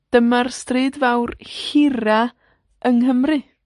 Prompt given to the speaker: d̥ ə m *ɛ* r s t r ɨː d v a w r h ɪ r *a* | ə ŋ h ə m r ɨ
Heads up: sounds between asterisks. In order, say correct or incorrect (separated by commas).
incorrect, correct